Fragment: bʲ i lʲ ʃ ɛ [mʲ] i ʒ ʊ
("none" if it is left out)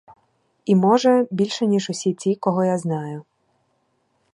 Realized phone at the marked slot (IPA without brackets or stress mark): nʲ